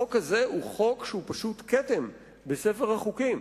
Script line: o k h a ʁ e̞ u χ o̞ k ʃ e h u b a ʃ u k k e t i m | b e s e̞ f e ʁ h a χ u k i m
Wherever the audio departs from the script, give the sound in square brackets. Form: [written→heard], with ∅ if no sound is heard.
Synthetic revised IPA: o k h a [ʁ→z] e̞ u χ o̞ k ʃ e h u [b→p] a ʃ u [k→t] k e t [i→e] m | b e s e̞ f e ʁ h a χ u k i m